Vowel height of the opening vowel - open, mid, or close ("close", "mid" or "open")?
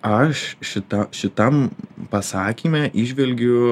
open